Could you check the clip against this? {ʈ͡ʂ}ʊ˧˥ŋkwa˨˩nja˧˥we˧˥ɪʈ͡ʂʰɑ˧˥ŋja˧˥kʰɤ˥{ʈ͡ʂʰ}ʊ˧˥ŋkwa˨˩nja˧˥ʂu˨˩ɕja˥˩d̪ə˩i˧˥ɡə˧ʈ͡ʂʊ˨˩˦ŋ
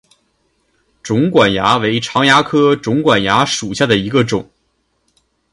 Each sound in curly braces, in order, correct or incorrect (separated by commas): correct, incorrect